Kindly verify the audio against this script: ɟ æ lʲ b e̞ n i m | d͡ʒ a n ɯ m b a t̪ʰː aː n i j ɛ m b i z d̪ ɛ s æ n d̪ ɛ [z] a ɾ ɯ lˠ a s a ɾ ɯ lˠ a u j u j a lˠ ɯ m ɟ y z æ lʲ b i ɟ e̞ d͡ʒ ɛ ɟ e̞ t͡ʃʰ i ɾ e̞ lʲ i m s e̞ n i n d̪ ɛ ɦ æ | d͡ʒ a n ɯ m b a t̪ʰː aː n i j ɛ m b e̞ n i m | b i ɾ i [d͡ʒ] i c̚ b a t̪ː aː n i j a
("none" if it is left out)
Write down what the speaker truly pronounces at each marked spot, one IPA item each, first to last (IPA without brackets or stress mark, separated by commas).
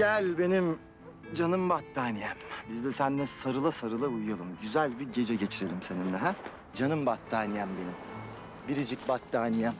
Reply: s, d͡ʒ